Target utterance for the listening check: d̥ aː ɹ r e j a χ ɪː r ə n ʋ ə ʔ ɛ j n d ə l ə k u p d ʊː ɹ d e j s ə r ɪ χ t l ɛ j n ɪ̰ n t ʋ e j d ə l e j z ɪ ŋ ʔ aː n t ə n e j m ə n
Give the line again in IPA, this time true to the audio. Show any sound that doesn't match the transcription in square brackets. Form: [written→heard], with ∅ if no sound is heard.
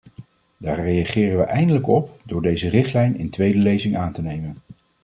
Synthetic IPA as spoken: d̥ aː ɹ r e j a χ ɪː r ə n ʋ ə ʔ ɛ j n d ə l ə k [u→ɔ] p d ʊː ɹ d e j [s→z] ə r ɪ χ t l ɛ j n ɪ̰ n t ʋ e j d ə l e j z ɪ ŋ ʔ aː n t ə n e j m ə n